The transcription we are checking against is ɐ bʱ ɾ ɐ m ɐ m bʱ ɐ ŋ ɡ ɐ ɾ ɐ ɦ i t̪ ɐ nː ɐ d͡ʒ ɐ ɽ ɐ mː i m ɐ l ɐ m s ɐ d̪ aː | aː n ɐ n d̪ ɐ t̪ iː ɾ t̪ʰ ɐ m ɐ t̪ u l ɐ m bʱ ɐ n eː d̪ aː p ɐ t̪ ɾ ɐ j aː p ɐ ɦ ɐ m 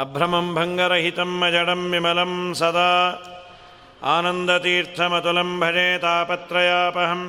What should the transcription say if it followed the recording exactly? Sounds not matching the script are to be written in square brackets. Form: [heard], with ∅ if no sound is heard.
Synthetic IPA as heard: ɐ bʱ ɾ ɐ m ɐ m bʱ ɐ ŋ ɡ ɐ ɾ ɐ ɦ i t̪ ɐ [mː] ɐ d͡ʒ ɐ ɽ ɐ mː i m ɐ l ɐ m s ɐ d̪ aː | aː n ɐ n d̪ ɐ t̪ iː ɾ t̪ʰ ɐ m ɐ t̪ u l ɐ m bʱ ɐ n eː [t̪] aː p ɐ t̪ ɾ ɐ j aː p ɐ ɦ ɐ m